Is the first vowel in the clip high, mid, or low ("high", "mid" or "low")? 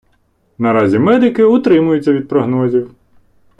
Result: low